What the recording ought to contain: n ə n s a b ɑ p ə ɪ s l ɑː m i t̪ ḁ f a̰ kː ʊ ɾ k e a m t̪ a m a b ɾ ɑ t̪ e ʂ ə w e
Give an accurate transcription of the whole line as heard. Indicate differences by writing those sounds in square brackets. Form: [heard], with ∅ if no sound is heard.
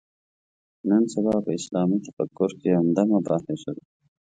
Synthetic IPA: n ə n s a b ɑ p ə ɪ s l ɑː m i t̪ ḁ f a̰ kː ʊ ɾ k e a m [d̪] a m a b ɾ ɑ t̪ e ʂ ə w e